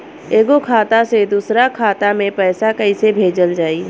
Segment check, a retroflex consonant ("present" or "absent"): absent